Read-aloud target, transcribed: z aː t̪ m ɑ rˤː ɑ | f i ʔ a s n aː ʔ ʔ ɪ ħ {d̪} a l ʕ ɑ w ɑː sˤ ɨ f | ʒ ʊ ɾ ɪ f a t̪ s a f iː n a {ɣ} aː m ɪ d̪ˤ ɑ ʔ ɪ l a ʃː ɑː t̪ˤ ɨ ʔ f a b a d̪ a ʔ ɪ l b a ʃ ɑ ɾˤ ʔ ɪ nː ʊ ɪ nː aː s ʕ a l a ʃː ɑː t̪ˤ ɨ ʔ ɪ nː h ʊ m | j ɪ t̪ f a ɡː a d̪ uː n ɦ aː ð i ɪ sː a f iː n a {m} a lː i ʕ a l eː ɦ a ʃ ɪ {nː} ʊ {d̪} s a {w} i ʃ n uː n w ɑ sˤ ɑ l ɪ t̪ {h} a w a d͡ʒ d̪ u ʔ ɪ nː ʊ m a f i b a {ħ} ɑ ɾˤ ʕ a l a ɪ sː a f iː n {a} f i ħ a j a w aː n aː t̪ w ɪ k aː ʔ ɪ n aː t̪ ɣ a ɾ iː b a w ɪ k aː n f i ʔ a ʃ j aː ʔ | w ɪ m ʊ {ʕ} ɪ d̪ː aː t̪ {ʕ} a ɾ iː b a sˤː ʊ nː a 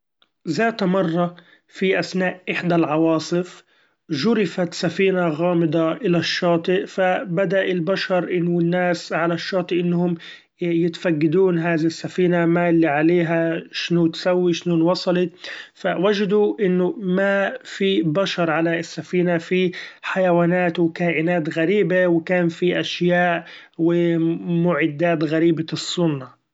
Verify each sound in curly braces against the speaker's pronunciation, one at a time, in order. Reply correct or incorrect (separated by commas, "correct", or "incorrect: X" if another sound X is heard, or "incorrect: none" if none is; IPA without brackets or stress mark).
correct, correct, correct, incorrect: n, incorrect: t̪, incorrect: wː, incorrect: f, incorrect: ʃ, correct, correct, incorrect: ɣ